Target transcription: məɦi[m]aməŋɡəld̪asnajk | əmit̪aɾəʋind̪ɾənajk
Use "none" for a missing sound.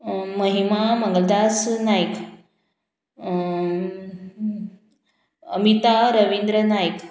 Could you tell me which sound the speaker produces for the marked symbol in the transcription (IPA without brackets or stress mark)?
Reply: m